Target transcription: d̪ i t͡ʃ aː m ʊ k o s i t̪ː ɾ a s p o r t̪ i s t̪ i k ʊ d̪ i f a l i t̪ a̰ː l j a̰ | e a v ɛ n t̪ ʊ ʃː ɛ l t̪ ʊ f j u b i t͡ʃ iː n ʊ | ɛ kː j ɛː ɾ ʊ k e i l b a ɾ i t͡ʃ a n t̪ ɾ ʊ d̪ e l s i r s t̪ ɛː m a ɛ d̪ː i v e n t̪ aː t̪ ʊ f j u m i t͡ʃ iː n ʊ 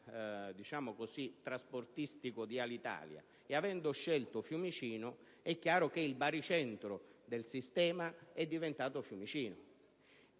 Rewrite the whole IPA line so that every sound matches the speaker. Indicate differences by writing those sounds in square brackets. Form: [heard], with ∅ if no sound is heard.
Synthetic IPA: d̪ i t͡ʃ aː m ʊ k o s i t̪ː ɾ a s p o r t̪ i s t̪ i k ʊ d̪ i [∅] a l i t̪ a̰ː l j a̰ | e a v ɛ n [d̪] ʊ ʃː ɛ l t̪ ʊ f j u [m] i t͡ʃ iː n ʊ | ɛ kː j [aː] ɾ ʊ k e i l b a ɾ i t͡ʃ [ɛ] n t̪ ɾ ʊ d̪ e l s i [∅] s t̪ ɛː m a ɛ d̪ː i v e n t̪ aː t̪ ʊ f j u m i t͡ʃ iː n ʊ